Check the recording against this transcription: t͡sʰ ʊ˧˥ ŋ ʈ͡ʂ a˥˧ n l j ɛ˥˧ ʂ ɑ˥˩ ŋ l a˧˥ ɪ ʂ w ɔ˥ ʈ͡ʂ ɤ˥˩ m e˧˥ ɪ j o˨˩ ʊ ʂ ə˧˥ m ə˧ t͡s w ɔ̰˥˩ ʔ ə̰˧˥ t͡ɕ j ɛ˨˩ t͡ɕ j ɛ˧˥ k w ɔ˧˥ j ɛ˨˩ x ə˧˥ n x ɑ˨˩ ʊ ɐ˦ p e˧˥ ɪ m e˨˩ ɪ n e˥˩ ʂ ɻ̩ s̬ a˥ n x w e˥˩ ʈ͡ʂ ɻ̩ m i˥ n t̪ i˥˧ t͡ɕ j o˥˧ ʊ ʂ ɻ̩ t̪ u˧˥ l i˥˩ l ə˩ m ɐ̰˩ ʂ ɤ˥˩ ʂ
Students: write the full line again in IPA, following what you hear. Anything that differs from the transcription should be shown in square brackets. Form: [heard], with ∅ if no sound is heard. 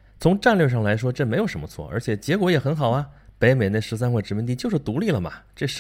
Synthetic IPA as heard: t͡sʰ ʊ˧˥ ŋ ʈ͡ʂ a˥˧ n l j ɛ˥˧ ʂ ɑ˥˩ ŋ l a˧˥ ɪ ʂ w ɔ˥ ʈ͡ʂ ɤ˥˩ m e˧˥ ɪ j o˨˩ ʊ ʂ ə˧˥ m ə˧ [t͡sʰ] w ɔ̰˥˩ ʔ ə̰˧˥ [t͡ɕʰ] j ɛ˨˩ t͡ɕ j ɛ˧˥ k w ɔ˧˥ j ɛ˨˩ x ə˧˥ n x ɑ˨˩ ʊ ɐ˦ p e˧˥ ɪ m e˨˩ ɪ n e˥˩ ʂ ɻ̩ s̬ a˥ n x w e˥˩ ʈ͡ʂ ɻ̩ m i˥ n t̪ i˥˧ t͡ɕ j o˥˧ ʊ ʂ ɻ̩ t̪ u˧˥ l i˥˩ l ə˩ m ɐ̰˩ [ʈ͡ʂ] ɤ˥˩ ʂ